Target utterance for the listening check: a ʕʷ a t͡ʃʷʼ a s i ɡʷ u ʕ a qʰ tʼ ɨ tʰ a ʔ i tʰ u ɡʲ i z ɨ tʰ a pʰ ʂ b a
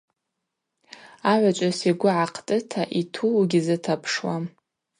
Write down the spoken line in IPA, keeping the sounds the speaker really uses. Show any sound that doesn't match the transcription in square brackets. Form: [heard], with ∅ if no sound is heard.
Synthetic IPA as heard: a ʕʷ a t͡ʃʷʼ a s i ɡʷ [ʊ] ʕ a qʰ tʼ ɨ tʰ a ʔ i tʰ u ɡʲ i z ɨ tʰ a pʰ ʂ [w] a